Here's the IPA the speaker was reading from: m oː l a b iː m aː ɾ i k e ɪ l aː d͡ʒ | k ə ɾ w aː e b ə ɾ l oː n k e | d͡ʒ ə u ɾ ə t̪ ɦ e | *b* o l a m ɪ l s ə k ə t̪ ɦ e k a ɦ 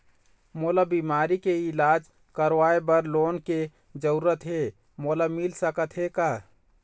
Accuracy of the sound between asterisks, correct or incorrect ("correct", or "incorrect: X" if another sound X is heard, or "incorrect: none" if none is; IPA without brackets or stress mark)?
incorrect: m